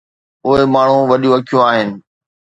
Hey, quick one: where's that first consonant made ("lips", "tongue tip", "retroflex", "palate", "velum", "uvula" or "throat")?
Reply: throat